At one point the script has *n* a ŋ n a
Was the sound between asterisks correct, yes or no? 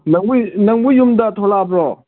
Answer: yes